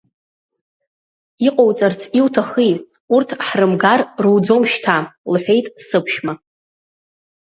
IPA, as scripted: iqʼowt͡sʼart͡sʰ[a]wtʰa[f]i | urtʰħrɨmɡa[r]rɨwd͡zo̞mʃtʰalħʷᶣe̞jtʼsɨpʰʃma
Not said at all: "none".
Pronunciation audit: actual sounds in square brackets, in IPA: i, χ, r

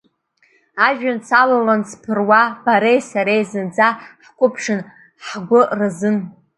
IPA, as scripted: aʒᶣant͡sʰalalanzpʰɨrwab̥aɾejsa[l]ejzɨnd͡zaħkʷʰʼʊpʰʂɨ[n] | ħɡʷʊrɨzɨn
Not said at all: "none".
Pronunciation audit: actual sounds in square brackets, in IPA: ɾ, n

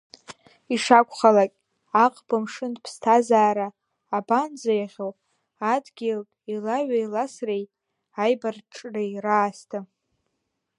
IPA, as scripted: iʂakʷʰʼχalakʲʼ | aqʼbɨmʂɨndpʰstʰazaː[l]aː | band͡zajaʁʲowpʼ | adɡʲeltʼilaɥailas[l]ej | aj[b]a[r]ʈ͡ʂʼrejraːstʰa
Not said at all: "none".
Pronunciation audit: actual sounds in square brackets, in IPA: ɾ, r, b, r

